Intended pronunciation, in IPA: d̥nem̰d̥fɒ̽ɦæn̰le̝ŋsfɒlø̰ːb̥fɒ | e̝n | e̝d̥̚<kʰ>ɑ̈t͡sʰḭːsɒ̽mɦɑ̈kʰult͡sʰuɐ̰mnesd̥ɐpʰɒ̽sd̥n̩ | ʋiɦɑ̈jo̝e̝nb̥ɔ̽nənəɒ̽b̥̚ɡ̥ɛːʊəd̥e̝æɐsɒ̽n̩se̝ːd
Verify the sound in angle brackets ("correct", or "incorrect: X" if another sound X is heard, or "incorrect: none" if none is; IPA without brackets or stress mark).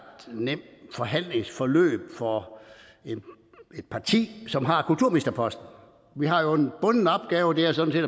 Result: incorrect: pʰ